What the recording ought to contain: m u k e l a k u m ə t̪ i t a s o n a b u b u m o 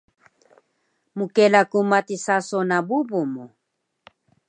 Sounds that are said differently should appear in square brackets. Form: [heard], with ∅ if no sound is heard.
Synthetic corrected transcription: m u k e l a k u m [a] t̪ i [s] a s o n a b u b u m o